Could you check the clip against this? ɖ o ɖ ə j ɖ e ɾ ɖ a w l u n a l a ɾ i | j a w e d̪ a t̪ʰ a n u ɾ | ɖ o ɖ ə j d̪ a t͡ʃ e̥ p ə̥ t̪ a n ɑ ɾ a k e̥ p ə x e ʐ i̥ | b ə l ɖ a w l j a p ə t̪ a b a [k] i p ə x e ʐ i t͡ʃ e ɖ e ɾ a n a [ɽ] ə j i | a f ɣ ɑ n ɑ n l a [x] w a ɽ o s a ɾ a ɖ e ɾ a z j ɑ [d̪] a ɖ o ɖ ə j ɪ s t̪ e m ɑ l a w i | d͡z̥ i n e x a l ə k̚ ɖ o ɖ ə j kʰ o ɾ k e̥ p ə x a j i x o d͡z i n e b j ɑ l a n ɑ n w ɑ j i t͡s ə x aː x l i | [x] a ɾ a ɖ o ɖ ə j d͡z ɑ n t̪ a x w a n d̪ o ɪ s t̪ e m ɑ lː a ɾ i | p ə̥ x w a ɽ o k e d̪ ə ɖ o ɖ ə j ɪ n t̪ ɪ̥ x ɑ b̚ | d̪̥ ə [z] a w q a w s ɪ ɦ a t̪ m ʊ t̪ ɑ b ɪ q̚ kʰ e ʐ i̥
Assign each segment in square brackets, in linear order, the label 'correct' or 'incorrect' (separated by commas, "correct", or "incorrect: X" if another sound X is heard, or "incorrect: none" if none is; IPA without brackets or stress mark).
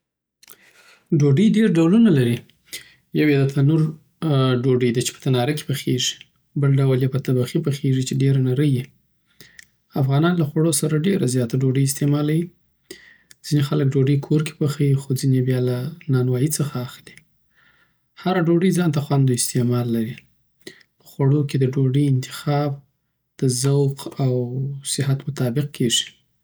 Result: incorrect: x, incorrect: ɾ, correct, incorrect: t̪, incorrect: h, correct